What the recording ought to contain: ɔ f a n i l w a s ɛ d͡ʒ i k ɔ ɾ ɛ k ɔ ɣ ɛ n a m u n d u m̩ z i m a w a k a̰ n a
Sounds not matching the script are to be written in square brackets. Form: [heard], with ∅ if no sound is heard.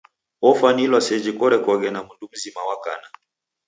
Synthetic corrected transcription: ɔ f a n i l w a s ɛ d͡ʒ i k ɔ ɾ ɛ k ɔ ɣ ɛ n a m u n d u m̩ z i m a w a k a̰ n a